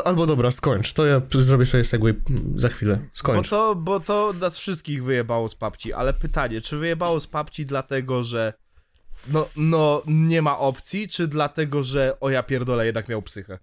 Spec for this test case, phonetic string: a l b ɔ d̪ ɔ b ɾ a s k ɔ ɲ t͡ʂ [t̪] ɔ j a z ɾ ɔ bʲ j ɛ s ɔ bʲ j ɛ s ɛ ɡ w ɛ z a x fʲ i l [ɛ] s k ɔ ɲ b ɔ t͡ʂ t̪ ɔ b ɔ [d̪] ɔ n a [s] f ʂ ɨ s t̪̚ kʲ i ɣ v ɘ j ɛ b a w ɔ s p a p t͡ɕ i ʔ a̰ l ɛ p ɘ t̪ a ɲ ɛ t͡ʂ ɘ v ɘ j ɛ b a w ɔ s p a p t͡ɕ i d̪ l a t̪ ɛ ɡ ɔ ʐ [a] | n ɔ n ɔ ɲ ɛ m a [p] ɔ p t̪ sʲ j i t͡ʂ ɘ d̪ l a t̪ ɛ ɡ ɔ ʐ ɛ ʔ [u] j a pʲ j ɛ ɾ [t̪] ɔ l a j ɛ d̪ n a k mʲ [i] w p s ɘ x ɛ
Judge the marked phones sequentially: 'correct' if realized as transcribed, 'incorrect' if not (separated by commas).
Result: correct, correct, incorrect, correct, incorrect, incorrect, incorrect, incorrect, incorrect